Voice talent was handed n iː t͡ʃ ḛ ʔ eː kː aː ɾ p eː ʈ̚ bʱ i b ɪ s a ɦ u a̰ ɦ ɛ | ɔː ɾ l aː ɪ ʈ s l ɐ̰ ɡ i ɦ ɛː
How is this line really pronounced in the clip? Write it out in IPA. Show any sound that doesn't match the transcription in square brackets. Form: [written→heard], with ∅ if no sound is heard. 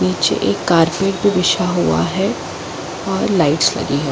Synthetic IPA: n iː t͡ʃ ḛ ʔ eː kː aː ɾ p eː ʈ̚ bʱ i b ɪ [s→ʃ] a ɦ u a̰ ɦ ɛ | ɔː ɾ l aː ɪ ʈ s l ɐ̰ ɡ i ɦ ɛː